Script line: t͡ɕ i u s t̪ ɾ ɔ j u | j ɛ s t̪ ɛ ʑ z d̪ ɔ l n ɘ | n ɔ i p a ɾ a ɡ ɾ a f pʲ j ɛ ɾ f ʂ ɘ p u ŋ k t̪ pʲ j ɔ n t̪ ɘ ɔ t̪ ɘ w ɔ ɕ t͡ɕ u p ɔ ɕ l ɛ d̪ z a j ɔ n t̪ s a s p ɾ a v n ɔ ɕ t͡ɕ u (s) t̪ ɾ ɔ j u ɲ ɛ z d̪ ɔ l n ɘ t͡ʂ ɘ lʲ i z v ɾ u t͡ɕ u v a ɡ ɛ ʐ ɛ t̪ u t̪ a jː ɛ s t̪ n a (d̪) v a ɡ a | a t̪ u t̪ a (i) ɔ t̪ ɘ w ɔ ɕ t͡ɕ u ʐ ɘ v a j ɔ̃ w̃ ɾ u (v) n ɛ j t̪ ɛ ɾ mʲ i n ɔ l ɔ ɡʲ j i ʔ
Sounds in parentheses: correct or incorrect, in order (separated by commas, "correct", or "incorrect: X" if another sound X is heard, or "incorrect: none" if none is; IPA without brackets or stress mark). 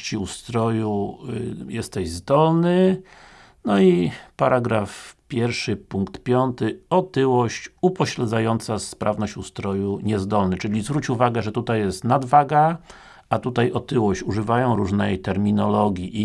correct, correct, incorrect: j, incorrect: ʐ